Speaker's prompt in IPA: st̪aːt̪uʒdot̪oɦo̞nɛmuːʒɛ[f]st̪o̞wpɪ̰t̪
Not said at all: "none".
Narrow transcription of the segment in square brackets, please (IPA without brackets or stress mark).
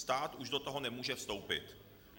f